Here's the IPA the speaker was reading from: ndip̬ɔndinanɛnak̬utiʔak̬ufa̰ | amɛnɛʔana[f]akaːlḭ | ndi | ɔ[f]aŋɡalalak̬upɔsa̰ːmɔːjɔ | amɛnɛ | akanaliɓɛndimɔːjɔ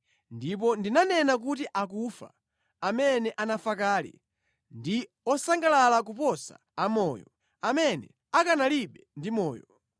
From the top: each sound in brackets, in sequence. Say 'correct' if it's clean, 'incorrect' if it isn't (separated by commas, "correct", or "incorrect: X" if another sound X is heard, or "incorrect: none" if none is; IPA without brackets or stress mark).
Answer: correct, incorrect: s